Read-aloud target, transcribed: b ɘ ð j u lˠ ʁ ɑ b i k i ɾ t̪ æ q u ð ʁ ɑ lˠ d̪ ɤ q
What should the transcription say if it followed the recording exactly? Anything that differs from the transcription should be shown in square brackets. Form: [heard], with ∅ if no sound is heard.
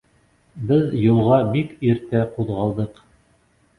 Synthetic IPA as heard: b ɘ ð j u lˠ ʁ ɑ b i k i ɾ t̪ æ q u ð ʁ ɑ lˠ d̪ ɤ q